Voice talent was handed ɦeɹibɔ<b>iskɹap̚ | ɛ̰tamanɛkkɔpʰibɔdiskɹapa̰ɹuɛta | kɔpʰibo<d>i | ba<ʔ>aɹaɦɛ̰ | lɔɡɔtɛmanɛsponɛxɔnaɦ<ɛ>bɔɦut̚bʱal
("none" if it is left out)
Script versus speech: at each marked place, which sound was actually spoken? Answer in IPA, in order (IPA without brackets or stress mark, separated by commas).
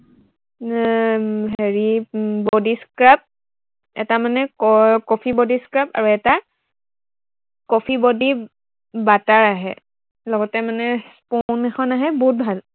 d, d, t, ɛ